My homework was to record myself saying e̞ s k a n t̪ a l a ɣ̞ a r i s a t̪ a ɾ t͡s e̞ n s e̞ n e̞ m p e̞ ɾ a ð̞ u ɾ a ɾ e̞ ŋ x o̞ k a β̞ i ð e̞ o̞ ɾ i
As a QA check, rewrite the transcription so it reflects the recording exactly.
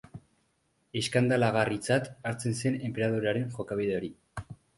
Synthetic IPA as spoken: e̞ s k a n d̪ a l a ɣ̞ a r i t͡s a t̪ a ɾ t͡s e̞ n s e̞ n e̞ m p e̞ ɾ a ð̞ u ɾ a ɾ e̞ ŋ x o̞ k a β̞ i ð e̞ o̞ ɾ i